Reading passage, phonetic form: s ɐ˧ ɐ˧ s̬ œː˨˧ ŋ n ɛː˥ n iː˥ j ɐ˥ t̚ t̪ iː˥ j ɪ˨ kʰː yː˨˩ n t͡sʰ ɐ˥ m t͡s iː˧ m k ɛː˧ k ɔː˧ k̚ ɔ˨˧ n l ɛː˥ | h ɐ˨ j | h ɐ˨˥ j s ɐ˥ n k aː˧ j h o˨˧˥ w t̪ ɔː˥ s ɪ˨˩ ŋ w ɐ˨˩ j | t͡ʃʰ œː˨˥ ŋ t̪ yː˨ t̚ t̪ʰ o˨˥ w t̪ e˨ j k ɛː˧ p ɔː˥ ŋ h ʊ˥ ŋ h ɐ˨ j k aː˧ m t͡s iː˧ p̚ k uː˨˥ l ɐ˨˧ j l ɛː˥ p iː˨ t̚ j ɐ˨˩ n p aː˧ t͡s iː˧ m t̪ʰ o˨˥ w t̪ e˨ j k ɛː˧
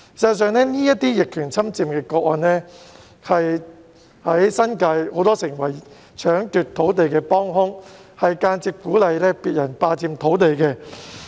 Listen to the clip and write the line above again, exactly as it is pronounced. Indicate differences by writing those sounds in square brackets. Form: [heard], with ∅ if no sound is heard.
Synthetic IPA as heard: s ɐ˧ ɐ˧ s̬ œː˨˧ ŋ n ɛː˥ n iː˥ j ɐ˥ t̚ t̪ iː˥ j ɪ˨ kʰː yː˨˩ n t͡sʰ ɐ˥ m t͡s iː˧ m k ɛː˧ k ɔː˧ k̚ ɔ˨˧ n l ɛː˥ | h ɐ˨ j | h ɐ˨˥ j s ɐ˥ n k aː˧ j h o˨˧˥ w t̪ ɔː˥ s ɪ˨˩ ŋ w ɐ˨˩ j | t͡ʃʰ œː˨˥ ŋ t̪ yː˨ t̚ t̪ʰ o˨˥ w t̪ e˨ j k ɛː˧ p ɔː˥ ŋ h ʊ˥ ŋ h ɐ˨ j k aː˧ [n] t͡s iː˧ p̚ k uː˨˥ l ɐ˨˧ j l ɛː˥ p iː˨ t̚ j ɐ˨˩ n p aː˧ t͡s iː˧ m t̪ʰ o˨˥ w t̪ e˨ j k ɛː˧

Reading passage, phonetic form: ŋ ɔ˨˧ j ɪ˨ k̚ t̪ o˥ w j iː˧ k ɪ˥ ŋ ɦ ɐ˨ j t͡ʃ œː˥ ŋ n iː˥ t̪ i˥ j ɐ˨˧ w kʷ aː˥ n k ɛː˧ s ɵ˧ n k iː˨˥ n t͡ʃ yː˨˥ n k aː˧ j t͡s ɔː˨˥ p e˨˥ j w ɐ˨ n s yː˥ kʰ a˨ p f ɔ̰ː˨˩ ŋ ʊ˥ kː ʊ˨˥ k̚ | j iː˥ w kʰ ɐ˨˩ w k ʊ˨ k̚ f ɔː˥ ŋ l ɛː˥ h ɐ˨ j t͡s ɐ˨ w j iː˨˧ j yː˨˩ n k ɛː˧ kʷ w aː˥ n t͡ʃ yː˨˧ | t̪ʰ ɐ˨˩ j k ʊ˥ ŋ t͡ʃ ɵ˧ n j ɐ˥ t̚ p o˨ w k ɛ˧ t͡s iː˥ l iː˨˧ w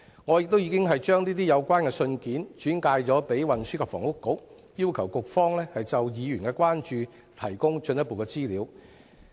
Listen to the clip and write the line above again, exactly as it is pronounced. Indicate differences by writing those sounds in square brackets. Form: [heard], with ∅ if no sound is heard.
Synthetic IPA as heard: ŋ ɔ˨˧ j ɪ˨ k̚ t̪ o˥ w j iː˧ k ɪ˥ ŋ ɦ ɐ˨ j t͡ʃ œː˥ ŋ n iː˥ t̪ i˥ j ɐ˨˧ w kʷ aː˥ n k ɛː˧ s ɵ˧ n k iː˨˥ n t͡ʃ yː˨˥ n k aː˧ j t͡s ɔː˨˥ p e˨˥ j w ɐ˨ n s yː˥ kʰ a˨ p f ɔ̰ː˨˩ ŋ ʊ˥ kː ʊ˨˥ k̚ | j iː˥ w kʰ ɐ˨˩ w k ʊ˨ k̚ f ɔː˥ ŋ l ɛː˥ h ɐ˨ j t͡s ɐ˨ w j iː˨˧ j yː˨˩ n k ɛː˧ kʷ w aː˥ n t͡ʃ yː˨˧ | t̪ʰ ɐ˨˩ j k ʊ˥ ŋ t͡ʃ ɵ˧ n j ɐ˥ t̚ p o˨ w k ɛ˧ t͡s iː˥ l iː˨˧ w

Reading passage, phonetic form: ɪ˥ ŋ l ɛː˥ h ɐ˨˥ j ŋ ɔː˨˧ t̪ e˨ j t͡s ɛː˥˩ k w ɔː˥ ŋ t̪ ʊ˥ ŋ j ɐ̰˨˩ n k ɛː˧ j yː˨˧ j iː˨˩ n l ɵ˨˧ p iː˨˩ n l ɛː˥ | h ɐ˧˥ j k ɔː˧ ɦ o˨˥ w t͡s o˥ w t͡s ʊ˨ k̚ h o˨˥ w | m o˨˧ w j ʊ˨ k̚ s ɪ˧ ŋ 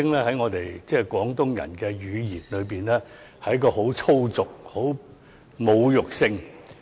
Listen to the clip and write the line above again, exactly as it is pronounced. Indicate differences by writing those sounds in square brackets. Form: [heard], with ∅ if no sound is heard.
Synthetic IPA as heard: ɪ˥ ŋ l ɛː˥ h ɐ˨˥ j ŋ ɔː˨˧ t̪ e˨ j t͡s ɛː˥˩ k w [ɔː˨˥] ŋ t̪ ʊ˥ ŋ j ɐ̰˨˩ n k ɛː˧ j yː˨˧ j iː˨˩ n l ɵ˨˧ p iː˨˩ n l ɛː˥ | h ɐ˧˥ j k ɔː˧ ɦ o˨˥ w [t͡sʰ] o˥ w t͡s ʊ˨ k̚ h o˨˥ w | m o˨˧ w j ʊ˨ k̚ s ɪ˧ ŋ

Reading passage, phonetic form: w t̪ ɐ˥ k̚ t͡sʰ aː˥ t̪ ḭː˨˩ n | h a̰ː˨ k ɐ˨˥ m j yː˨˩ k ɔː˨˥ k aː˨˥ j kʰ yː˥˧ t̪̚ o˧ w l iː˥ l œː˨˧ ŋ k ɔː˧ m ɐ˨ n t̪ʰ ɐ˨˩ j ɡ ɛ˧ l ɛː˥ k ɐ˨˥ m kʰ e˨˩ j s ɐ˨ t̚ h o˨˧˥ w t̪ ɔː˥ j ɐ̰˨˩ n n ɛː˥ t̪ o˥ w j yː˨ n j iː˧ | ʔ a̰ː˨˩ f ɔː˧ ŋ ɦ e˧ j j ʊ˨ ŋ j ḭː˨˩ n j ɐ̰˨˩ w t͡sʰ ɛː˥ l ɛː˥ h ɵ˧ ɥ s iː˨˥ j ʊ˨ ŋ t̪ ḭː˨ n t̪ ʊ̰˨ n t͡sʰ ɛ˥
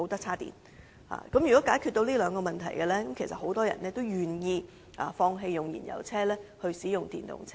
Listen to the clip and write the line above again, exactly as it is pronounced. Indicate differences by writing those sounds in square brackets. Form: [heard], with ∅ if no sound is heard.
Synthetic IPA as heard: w t̪ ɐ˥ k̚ t͡sʰ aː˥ t̪ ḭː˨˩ n | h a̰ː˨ k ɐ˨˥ m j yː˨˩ k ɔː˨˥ k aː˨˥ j kʰ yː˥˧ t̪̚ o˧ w l iː˥ l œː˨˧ ŋ k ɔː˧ m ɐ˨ n t̪ʰ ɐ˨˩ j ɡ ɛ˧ l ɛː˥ k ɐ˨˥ m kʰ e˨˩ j s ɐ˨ t̚ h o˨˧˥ w t̪ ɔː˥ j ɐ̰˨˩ n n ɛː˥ t̪ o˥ w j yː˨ n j iː˧ | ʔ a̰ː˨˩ f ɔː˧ ŋ ɦ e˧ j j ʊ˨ ŋ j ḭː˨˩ n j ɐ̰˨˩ w t͡sʰ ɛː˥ l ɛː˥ h ɵ˧ ɥ s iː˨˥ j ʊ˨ ŋ t̪ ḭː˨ n t̪ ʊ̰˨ [ŋ] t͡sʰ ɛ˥

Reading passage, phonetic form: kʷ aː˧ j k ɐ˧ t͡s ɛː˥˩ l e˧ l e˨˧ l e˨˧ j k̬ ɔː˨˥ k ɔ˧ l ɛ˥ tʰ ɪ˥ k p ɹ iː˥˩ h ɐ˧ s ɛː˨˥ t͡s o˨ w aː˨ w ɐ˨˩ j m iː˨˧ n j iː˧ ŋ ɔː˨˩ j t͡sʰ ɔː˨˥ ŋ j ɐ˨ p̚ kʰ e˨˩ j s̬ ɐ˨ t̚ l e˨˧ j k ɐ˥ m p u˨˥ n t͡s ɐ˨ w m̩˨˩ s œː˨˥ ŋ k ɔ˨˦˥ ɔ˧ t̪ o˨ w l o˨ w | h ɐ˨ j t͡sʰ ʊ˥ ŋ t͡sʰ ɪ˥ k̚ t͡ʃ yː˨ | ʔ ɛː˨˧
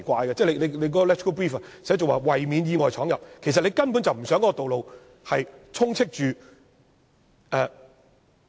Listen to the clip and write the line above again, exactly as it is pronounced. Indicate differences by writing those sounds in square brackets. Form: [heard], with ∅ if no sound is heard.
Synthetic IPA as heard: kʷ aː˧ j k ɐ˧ t͡s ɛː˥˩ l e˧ l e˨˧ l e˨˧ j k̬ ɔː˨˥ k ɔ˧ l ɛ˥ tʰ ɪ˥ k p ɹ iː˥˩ [f] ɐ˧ s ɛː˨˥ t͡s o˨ w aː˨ w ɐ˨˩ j m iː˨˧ n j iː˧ ŋ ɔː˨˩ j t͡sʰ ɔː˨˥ ŋ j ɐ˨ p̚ kʰ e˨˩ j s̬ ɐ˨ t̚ l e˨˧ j k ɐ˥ [n] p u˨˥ n t͡s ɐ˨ w m̩˨˩ s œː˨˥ ŋ k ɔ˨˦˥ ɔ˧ t̪ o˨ w l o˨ w | h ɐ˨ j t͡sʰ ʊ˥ ŋ t͡sʰ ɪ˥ k̚ t͡ʃ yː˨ | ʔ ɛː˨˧

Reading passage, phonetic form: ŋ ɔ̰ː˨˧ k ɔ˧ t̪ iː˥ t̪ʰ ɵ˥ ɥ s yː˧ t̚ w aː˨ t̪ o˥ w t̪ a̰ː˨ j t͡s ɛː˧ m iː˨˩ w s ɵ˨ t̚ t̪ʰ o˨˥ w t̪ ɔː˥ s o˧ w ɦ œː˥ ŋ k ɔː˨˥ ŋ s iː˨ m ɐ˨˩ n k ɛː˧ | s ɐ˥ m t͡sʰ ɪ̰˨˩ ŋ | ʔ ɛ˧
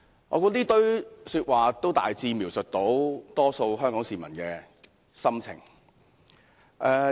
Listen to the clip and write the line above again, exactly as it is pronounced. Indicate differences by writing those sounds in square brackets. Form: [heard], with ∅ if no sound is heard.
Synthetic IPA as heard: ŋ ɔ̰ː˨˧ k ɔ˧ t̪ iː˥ [t̪] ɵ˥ ɥ s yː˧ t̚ w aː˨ t̪ o˥ w t̪ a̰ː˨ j t͡s [iː˧] m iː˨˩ w s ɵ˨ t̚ [t̪] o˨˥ w t̪ ɔː˥ s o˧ w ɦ œː˥ ŋ k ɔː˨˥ ŋ s iː˨ m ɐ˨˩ n k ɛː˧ | s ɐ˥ m t͡sʰ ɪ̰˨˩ ŋ | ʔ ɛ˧

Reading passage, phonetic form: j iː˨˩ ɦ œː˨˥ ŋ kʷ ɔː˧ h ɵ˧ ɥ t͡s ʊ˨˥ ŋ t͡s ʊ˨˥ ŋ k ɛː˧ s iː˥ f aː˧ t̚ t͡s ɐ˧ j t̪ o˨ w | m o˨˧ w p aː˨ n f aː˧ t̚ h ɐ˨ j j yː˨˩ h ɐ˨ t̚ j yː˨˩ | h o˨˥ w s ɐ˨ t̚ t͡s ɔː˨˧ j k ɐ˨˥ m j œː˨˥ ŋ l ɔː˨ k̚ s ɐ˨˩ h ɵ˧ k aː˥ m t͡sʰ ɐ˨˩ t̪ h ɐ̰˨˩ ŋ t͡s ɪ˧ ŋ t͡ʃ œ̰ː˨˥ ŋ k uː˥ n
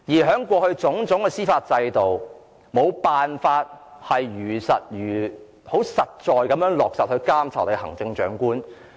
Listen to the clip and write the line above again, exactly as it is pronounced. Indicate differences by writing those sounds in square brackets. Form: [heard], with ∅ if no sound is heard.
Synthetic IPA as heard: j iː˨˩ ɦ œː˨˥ ŋ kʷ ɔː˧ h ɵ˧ ɥ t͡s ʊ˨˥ ŋ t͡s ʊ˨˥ ŋ k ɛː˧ s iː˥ f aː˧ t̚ t͡s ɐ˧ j t̪ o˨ w | m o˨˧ w p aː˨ n f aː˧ t̚ h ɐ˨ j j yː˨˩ [s] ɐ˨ t̚ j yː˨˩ | h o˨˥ w s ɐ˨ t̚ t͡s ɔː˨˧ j k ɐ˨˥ m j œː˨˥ ŋ l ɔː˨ k̚ s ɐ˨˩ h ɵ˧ k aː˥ m t͡sʰ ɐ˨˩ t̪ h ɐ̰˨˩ ŋ t͡s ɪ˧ ŋ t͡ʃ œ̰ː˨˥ ŋ k uː˥ n

